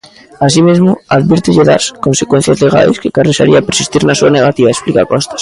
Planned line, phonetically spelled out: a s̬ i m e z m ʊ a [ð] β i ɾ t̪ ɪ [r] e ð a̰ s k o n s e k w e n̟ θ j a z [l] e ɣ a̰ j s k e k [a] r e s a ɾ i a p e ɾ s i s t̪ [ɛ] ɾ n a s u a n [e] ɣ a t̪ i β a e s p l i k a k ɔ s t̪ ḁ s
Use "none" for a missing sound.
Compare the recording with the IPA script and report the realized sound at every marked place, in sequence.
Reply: ð, ʎ, l, a, i, e

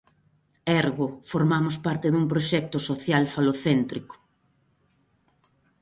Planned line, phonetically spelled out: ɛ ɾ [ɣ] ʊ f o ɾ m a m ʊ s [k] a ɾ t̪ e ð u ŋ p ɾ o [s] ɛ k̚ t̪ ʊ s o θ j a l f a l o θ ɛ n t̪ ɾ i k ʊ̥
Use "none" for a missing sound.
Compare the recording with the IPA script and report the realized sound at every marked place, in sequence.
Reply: ɣ, p, ʃ

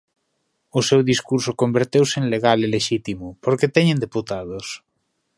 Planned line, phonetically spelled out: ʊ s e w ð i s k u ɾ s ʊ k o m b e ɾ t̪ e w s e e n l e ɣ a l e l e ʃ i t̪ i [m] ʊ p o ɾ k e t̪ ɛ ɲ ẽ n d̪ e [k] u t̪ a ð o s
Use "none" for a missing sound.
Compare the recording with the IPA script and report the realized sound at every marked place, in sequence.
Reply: m, p

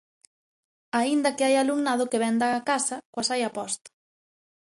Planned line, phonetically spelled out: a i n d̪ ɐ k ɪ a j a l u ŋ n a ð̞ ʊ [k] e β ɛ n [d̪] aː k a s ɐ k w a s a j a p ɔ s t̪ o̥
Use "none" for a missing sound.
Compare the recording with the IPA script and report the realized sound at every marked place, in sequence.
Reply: k, d̪

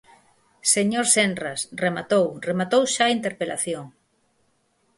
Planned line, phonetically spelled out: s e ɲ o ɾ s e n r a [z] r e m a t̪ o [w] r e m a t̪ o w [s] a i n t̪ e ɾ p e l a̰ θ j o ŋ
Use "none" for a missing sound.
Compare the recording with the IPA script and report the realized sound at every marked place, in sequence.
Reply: s, w, ʃ

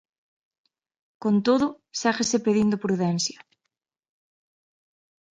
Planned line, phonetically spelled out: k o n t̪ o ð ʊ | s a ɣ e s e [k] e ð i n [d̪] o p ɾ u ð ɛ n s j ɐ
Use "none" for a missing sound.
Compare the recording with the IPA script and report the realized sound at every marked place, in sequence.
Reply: p, d̪

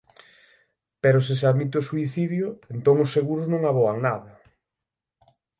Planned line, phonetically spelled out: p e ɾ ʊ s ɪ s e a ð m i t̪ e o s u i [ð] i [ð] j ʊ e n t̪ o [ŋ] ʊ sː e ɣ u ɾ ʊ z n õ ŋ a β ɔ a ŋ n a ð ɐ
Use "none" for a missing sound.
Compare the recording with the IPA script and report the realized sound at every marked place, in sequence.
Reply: θ, ð, ŋ

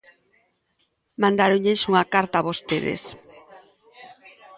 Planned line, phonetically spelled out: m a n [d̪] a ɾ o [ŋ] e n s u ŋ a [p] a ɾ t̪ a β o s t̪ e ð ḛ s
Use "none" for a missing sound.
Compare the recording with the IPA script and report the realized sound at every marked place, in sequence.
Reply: d̪, ɲ, k

